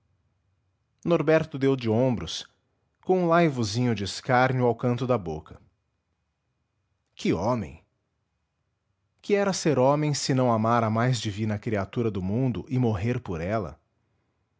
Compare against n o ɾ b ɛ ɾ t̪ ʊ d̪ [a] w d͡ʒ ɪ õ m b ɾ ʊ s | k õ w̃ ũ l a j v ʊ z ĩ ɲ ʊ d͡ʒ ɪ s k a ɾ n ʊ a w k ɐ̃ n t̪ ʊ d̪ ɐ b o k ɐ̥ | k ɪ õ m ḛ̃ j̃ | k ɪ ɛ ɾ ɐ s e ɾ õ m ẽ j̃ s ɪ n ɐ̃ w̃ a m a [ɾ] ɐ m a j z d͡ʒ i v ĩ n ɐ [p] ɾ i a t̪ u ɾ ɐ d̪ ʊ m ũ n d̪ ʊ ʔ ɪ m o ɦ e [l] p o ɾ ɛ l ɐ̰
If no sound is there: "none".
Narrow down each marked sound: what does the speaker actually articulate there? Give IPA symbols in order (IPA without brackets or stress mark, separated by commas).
e, ɾ, k, ɾ